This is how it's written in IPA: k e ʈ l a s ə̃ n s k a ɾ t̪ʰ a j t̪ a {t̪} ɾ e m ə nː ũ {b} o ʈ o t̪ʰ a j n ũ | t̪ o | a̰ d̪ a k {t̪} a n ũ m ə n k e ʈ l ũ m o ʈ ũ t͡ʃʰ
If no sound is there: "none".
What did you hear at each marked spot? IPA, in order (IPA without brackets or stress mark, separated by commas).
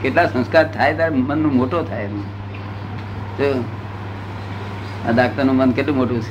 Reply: none, m, t̪